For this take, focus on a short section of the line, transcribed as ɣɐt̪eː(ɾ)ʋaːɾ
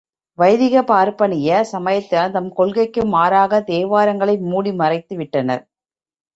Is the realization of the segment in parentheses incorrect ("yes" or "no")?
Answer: yes